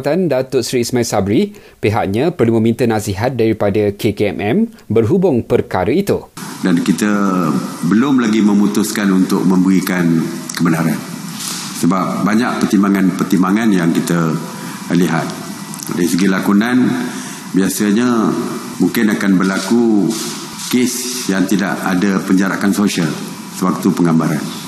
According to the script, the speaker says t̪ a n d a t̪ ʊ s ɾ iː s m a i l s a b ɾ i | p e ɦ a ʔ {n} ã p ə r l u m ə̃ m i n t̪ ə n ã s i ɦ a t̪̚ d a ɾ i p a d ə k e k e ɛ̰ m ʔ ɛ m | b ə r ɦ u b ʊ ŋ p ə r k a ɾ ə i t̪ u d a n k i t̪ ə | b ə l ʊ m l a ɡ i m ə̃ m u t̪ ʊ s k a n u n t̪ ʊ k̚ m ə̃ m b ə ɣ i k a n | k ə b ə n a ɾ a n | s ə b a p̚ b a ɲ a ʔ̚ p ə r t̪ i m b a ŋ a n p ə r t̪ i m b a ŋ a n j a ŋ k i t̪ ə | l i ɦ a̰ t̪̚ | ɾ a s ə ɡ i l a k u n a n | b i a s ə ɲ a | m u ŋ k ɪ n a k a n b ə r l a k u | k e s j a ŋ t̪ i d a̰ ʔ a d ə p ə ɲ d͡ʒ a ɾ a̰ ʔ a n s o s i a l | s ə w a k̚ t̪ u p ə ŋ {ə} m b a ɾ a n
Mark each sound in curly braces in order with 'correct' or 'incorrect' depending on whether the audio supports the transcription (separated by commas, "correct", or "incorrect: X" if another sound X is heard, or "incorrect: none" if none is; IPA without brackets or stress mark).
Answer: incorrect: ɲ, incorrect: a